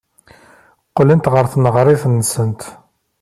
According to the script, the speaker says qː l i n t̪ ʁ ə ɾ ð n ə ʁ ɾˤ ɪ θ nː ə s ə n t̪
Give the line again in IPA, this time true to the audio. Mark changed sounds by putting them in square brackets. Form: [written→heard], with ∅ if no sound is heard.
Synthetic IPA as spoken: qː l i n t̪ ʁ ə ɾ [ð→θ] n ə ʁ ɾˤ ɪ θ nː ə s ə n t̪